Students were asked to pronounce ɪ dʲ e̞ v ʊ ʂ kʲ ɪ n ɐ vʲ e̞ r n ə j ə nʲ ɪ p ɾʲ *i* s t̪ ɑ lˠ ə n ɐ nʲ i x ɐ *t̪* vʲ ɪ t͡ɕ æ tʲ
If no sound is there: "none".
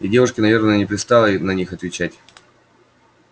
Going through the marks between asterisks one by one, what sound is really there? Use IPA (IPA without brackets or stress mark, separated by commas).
ɪ, t̪